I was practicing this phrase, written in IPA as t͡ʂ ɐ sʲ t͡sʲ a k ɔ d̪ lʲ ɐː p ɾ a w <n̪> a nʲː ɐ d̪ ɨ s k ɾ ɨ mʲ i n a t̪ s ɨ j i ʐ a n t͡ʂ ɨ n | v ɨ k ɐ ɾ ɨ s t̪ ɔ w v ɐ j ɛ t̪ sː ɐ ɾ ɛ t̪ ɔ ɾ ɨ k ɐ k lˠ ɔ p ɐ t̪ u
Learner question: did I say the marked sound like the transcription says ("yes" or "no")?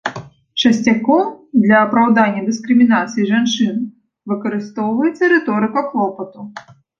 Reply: no